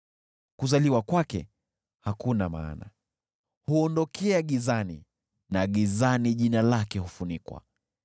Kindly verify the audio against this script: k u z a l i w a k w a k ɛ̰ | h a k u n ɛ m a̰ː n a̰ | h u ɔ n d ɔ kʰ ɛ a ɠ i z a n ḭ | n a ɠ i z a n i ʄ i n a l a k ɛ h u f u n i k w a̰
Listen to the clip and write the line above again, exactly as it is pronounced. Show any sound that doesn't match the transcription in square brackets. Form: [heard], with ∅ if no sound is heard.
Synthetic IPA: k u z a l i w a k w a k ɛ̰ | h a k u n [a] m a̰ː n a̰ | h u ɔ n d ɔ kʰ ɛ a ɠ i z a n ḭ | n a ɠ i z a n i ʄ i n a l a k ɛ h u f u n i k w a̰